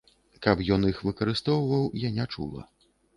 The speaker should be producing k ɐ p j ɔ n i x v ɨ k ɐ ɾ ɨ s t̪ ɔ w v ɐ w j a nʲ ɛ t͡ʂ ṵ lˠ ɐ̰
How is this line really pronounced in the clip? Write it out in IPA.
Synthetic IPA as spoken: k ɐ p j ɔ n i x v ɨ k ɐ ɾ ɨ s t̪ ɔ w v ɐ w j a nʲ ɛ t͡ʂ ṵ lˠ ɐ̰

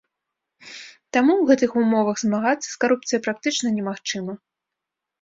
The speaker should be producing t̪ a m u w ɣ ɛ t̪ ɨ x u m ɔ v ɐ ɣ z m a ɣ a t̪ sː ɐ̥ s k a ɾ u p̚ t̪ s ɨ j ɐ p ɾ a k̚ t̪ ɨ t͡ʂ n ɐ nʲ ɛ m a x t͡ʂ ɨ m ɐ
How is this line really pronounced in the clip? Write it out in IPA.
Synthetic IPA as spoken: t̪ a m u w ɣ ɛ t̪ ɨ x u m ɔ v ɐ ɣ z m a ɣ a t̪ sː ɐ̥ s k a ɾ u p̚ t̪ s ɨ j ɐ p ɾ a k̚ t̪ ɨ t͡ʂ n ɐ nʲ ɛ m a x t͡ʂ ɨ m ɐ

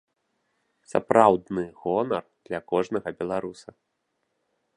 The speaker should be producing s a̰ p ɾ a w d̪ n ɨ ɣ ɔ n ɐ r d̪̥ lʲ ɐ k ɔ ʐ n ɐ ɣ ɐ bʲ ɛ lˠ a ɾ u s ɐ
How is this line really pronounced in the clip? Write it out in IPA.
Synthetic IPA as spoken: s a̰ p ɾ a w d̪ n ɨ ɣ ɔ n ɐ r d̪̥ lʲ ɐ k ɔ ʐ n ɐ ɣ ɐ bʲ ɛ lˠ a ɾ u s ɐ

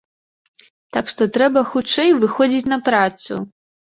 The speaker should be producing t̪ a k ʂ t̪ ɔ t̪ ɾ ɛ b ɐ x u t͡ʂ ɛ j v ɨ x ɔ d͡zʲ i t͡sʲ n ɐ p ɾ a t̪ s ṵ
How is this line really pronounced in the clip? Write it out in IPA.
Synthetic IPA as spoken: t̪ a k ʂ t̪ ɔ t̪ ɾ ɛ b ɐ x u t͡ʂ ɛ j v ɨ x ɔ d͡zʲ i t͡sʲ n ɐ p ɾ a t̪ s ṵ

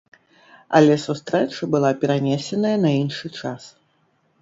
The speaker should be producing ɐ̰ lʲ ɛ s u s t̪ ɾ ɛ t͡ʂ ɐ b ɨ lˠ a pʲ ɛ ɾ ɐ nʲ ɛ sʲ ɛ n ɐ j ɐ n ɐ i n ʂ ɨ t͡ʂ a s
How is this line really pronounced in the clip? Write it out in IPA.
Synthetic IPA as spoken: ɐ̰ lʲ ɛ s u s t̪ ɾ ɛ t͡ʂ ɐ b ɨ lˠ a pʲ ɛ ɾ a nʲ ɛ sʲ ɛ n ɐ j ɐ n ɐ i n ʂ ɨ t͡ʂ a s

